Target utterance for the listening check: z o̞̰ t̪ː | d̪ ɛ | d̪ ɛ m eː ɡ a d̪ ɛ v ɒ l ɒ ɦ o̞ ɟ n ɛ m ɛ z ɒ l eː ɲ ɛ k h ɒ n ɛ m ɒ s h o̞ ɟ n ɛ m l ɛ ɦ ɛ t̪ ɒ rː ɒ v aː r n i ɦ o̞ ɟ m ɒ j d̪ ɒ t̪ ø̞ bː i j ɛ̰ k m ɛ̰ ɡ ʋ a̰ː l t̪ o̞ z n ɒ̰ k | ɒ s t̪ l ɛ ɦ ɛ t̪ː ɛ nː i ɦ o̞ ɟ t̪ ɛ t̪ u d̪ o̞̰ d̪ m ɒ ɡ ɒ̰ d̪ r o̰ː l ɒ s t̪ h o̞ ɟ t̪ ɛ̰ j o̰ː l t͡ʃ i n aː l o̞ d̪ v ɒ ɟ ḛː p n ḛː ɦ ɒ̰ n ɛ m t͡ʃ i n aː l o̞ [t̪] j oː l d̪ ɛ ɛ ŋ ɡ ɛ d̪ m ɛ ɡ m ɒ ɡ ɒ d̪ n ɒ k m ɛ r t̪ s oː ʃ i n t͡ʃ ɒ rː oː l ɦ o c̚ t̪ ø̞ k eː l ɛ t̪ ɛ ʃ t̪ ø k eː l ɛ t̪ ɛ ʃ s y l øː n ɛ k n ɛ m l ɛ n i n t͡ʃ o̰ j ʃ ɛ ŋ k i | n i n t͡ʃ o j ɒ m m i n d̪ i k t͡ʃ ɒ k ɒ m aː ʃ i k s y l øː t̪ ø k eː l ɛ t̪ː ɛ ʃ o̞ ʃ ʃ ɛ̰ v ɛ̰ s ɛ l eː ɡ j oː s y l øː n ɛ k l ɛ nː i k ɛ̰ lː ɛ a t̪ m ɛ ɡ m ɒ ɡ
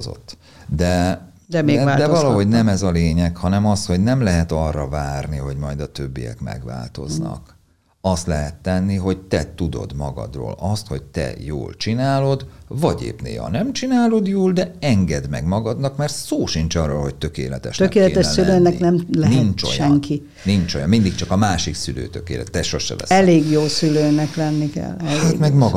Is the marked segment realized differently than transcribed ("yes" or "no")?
yes